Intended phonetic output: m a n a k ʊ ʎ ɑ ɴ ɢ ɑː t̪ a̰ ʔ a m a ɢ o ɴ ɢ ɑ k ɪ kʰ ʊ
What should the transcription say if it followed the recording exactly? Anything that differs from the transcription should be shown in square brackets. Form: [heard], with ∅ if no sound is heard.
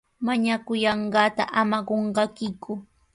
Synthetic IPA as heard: m a [ɲ] a k ʊ [j] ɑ ɴ ɢ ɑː t̪ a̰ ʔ a m a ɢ o ɴ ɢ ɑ k ɪ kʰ ʊ